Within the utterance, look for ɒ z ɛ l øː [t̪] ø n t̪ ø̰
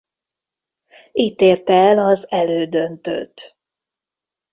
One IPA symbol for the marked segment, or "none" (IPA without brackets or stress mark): d̪